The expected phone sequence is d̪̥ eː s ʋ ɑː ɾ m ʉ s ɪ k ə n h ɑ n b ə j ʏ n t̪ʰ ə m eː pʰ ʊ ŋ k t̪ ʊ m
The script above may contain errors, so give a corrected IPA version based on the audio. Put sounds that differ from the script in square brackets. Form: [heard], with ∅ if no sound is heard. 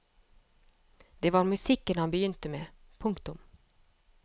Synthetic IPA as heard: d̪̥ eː [∅] ʋ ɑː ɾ m ʉ s ɪ k ə n h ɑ n b ə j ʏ n [t̪] ə m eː pʰ ʊ ŋ k t̪ ʊ m